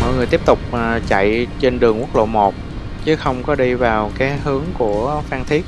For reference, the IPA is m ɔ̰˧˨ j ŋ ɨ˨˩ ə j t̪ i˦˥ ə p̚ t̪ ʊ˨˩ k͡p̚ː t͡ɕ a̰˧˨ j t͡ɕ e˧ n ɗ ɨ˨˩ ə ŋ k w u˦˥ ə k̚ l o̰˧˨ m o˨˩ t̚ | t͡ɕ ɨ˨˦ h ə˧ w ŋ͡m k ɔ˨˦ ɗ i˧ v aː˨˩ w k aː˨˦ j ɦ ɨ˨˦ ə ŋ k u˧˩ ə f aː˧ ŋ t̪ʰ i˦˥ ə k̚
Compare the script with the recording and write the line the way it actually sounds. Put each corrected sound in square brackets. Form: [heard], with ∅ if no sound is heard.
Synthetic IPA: m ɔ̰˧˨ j ŋ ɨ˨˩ ə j t̪ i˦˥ ə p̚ t̪ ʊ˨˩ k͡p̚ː t͡ɕ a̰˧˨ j t͡ɕ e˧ n ɗ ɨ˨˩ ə ŋ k w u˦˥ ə k̚ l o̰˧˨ m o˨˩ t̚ | t͡ɕ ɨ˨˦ [x] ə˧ w ŋ͡m k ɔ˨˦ ɗ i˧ v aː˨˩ w k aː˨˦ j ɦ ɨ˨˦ ə ŋ k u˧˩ ə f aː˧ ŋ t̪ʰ i˦˥ ə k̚